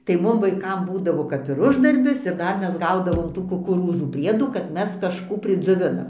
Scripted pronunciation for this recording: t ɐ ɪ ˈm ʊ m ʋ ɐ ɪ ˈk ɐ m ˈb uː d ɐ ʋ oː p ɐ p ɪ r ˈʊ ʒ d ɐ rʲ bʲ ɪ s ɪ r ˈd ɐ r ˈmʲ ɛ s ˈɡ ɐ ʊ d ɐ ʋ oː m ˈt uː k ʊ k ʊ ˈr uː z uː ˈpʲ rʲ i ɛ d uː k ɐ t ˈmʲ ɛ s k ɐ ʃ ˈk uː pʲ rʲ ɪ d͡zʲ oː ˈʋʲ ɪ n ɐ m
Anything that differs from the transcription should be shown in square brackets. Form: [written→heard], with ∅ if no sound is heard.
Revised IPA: t ɐ ɪ ˈm ʊ m ʋ ɐ ɪ ˈk ɐ m ˈb uː d ɐ ʋ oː [p→k] ɐ p ɪ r ˈʊ ʒ d ɐ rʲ bʲ ɪ s ɪ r ˈd ɐ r ˈmʲ ɛ s ˈɡ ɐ ʊ d ɐ ʋ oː m ˈt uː k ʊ k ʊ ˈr uː z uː ˈpʲ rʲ i ɛ d uː k ɐ t ˈmʲ ɛ s k ɐ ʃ ˈk uː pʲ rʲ ɪ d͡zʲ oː ˈʋʲ ɪ n ɐ m